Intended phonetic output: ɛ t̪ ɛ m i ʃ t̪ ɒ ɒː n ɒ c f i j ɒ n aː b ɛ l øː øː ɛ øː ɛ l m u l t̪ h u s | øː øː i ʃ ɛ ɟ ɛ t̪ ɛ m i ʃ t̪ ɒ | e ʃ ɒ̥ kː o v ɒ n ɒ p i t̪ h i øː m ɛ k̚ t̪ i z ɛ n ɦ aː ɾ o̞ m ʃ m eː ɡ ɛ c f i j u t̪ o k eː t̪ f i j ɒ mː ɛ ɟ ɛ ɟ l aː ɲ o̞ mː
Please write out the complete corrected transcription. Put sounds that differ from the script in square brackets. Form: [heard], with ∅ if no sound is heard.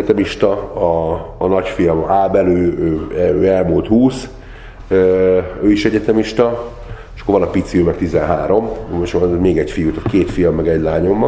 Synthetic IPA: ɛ t̪ ɛ m i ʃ t̪ ɒ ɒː n ɒ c f i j ɒ [m] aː b ɛ l øː øː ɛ øː ɛ l m u l t̪ h [uː] s | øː øː i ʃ ɛ ɟ ɛ t̪ ɛ m i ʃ t̪ ɒ | e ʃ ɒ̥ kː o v ɒ n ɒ p i t̪ [s] i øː m ɛ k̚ t̪ i z ɛ n ɦ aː ɾ o̞ m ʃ m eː ɡ ɛ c f i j u t̪ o k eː t̪ f i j ɒ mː ɛ [ɡ] ɛ ɟ l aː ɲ o̞ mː